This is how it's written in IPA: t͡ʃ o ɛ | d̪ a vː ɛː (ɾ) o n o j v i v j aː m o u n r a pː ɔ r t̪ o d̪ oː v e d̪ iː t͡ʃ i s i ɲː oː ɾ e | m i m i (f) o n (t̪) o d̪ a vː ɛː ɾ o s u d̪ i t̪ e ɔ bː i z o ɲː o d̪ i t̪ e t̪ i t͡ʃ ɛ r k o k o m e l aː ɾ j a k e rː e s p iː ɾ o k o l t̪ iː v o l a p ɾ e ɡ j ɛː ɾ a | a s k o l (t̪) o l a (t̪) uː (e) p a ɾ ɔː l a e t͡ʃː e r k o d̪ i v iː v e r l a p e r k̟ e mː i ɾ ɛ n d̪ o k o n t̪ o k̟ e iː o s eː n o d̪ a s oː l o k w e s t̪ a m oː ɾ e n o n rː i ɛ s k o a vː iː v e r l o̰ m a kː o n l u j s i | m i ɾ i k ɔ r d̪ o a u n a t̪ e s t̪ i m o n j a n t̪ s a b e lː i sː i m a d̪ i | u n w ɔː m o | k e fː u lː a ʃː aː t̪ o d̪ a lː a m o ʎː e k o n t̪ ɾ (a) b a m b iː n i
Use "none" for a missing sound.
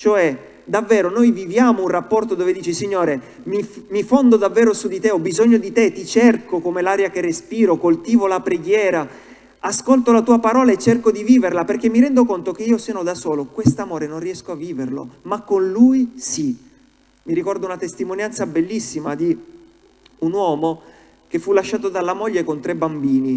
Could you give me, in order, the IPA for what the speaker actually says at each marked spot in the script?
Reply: ɾ, f, d̪, t̪, t̪, a, e

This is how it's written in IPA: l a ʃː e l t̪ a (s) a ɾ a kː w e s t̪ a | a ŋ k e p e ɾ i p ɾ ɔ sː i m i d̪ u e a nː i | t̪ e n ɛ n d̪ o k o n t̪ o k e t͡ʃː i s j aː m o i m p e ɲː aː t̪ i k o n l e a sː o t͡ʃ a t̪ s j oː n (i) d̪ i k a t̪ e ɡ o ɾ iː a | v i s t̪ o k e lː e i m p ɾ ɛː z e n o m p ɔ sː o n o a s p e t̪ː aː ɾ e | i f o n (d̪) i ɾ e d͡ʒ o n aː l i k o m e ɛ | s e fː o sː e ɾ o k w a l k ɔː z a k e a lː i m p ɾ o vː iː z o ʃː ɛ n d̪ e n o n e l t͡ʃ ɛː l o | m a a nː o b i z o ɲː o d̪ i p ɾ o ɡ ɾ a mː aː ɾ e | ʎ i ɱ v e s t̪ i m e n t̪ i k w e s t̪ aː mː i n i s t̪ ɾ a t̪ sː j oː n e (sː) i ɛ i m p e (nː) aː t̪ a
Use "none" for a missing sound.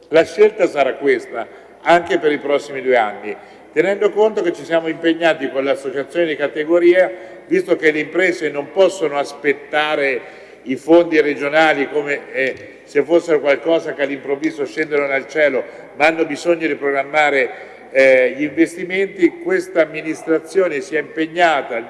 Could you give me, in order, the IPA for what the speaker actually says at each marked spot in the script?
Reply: s, e, d̪, s, ɲː

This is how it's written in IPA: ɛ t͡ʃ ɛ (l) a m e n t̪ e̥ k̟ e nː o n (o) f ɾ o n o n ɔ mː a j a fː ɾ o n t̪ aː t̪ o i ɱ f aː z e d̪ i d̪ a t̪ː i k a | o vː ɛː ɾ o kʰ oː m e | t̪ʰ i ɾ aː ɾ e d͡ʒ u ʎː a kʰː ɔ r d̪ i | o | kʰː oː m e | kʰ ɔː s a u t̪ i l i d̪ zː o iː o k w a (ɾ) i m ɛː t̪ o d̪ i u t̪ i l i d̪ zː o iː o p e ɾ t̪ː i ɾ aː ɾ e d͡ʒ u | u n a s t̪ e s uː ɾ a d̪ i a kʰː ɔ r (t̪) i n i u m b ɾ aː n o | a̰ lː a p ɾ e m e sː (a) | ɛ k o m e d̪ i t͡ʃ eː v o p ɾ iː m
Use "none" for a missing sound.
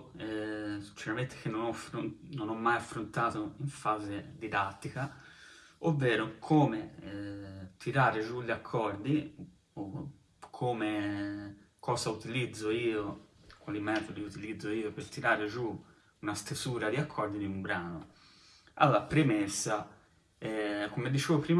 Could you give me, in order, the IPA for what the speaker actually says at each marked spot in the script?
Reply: ɾ, ɔ, l, d̪, a

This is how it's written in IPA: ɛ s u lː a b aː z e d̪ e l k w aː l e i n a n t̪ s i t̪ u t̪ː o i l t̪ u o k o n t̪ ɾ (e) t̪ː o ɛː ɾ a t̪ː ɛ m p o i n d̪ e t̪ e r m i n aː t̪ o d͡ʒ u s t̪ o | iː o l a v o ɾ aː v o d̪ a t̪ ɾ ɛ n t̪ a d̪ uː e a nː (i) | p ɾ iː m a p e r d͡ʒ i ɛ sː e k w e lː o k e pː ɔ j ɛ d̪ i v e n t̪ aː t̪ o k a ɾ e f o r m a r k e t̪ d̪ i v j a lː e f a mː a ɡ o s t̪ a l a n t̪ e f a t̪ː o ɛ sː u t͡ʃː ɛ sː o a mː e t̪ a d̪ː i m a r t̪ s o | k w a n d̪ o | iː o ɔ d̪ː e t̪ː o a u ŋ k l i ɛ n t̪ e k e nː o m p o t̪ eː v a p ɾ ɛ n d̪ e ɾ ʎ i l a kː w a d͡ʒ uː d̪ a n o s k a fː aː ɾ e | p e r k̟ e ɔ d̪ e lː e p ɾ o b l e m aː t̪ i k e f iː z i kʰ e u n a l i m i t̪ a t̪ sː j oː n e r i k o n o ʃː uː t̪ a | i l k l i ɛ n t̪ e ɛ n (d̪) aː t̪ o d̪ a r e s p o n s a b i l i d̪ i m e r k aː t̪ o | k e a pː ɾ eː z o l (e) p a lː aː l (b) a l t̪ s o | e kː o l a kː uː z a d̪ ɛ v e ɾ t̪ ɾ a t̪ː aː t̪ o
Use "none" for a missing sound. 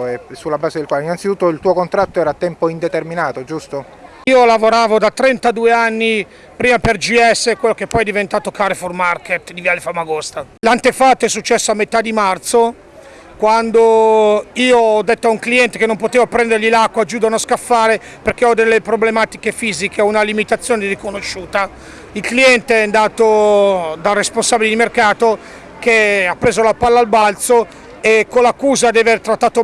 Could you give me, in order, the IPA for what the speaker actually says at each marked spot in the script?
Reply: a, i, d̪, a, b

